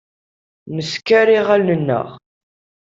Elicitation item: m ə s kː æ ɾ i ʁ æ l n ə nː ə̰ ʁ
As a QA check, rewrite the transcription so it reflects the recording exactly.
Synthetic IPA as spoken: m ə s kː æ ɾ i ʁ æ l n ə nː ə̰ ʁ